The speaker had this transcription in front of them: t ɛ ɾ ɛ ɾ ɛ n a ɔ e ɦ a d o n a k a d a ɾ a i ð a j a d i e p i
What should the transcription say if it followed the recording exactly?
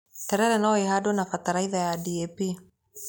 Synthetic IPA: t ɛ ɾ ɛ ɾ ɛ n a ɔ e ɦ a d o n a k a t a ɾ a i ð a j a d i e p i